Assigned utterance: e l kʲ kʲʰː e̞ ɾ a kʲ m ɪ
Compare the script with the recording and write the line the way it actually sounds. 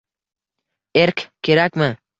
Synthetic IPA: e ɾ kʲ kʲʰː e̞ ɾ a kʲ m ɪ

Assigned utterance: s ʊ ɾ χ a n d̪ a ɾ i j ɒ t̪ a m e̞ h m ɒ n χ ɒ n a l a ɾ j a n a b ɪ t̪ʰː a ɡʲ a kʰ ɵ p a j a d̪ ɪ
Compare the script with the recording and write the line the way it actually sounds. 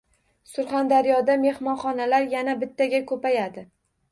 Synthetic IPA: s ʊ ɾ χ a n d̪ a ɾ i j ɒ d̪ a m e̞ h m ɒ n χ ɒ n a l a ɾ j a n a b ɪ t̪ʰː a ɡʲ a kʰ ɵ p a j a d̪ ɪ

